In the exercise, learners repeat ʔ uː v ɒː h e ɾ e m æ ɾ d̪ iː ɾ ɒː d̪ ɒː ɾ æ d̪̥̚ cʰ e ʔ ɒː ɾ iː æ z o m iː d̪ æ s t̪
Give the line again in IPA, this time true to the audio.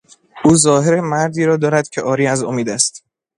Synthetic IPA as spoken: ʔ uː z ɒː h e ɾ e m æ ɾ d̪ iː ɾ ɒː d̪ ɒː ɾ æ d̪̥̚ cʰ e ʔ ɒː ɾ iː æ z o m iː d̪ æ s t̪